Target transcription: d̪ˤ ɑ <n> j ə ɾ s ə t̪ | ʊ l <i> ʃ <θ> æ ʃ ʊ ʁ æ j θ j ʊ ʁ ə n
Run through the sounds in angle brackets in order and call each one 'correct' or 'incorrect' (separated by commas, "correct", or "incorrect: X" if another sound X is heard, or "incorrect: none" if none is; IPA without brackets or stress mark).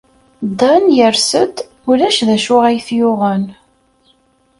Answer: correct, incorrect: æ, incorrect: ð